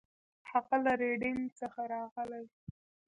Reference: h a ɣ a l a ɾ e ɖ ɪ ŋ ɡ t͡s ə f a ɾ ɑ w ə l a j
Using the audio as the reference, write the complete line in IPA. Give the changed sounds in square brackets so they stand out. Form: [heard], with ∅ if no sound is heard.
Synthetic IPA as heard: h a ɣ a l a ɾ e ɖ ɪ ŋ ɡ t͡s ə [x] a ɾ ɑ [ɣ] ə l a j